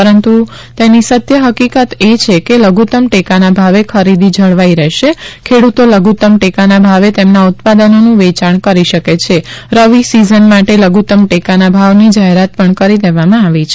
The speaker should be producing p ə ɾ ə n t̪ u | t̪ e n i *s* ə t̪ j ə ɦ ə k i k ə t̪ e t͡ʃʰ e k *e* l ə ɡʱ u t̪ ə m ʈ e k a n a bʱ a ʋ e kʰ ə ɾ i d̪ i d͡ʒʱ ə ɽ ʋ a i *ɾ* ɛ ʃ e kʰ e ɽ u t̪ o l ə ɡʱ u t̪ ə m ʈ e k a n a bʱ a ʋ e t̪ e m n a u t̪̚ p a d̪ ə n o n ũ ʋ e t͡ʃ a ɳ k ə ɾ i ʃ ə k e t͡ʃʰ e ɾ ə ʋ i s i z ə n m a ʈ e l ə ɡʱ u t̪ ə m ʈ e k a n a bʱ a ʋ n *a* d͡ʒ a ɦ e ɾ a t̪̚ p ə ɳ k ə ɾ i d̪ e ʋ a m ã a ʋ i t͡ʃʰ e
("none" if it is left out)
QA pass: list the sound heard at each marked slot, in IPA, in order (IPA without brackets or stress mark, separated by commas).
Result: s, e, ɾ, i